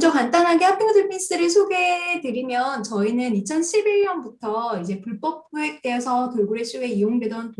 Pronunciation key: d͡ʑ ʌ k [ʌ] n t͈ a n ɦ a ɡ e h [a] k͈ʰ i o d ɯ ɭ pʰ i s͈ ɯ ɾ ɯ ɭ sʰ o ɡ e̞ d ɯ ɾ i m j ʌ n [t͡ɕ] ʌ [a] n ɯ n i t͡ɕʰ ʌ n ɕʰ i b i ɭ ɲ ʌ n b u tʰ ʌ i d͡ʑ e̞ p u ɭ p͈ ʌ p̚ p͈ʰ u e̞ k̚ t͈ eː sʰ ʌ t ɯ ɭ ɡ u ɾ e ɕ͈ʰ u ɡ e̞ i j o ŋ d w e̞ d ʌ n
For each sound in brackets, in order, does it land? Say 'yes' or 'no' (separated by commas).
no, yes, yes, no